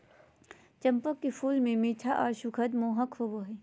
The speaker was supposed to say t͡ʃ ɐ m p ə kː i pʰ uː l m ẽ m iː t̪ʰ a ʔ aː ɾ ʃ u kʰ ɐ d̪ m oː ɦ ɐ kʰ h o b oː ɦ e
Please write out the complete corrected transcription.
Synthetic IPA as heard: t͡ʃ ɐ m p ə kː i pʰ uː l m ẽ m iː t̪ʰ a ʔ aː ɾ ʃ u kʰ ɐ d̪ m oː ɦ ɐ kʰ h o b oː ɦ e